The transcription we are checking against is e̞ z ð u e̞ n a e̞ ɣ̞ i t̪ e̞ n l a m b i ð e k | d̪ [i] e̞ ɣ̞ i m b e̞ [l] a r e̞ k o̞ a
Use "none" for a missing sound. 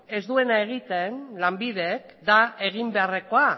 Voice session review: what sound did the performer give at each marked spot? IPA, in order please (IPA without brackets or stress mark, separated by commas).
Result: a, none